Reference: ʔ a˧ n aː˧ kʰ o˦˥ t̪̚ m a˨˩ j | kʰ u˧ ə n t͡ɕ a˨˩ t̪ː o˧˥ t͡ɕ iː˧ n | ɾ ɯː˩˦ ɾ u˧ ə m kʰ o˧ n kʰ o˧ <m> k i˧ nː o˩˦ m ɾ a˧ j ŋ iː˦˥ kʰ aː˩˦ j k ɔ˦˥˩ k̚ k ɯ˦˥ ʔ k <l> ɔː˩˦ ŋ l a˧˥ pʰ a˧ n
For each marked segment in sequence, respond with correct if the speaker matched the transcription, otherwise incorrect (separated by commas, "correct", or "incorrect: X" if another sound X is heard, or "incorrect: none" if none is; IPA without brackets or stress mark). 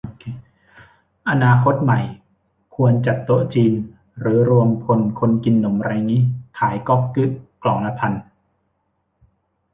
incorrect: n, correct